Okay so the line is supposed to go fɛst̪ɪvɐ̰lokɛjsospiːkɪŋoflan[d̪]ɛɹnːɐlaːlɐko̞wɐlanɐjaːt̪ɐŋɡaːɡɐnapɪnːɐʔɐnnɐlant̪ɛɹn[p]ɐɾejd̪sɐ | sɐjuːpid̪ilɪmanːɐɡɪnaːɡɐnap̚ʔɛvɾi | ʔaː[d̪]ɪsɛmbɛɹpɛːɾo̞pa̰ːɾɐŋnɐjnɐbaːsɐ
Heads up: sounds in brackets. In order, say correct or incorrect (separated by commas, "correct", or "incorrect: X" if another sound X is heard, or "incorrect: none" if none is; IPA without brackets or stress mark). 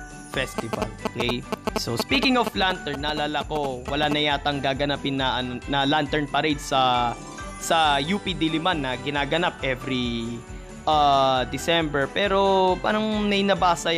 incorrect: t̪, correct, correct